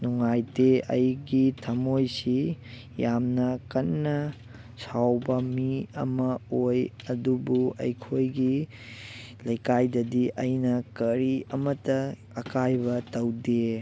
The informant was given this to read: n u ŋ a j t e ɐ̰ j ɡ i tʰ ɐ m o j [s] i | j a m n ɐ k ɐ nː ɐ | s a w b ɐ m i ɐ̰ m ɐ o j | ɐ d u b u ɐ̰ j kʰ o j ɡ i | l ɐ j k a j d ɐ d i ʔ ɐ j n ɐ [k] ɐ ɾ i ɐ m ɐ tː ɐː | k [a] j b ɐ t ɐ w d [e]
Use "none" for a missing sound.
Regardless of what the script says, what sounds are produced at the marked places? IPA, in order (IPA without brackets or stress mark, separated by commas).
s, k, a, e